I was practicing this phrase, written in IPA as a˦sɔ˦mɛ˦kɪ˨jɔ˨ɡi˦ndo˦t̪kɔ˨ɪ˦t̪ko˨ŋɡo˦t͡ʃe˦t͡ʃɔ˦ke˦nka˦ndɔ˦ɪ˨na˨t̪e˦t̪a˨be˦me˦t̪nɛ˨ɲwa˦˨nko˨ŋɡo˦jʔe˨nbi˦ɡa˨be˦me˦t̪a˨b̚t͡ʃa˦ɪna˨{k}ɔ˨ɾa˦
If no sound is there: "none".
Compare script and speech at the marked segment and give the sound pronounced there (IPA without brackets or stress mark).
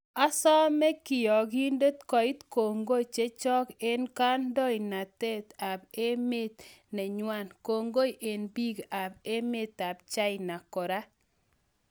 k